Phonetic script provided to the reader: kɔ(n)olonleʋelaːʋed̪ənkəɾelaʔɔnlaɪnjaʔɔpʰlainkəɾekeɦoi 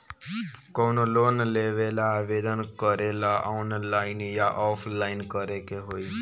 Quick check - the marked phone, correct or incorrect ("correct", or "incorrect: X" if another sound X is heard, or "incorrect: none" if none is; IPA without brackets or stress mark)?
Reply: correct